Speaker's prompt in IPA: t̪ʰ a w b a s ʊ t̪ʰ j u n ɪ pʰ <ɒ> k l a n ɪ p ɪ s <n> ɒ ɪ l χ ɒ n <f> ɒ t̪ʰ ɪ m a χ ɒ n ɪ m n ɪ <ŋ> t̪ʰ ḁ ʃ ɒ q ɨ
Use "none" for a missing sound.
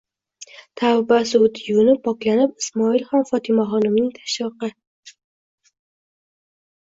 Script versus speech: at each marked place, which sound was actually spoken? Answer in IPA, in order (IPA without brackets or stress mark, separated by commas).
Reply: ɒ, m, f, ŋ